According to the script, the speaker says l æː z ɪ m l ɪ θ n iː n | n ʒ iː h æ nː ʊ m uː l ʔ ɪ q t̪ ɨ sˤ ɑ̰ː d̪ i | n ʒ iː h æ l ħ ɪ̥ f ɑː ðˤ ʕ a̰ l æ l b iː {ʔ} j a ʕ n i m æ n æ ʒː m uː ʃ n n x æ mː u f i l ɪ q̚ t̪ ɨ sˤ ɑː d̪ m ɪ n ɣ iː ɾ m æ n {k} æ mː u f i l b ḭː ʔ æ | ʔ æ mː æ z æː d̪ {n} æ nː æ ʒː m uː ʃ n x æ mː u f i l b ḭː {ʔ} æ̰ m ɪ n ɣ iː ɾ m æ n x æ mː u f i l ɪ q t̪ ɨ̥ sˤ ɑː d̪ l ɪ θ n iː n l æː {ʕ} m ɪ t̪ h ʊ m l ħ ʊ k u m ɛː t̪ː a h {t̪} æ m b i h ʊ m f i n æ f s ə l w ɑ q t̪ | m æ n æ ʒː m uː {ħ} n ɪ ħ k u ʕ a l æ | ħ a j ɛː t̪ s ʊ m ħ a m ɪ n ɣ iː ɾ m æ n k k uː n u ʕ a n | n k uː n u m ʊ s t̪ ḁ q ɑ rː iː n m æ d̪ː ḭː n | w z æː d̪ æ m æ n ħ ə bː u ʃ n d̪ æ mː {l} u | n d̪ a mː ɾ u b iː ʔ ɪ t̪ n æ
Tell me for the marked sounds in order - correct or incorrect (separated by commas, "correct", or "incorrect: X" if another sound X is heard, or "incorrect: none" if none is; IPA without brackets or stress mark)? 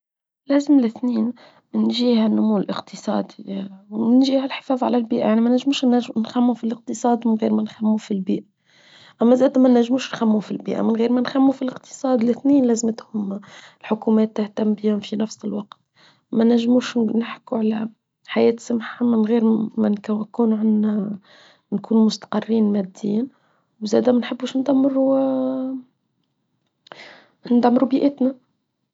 correct, incorrect: x, incorrect: m, correct, incorrect: z, correct, incorrect: ʃ, incorrect: ɾ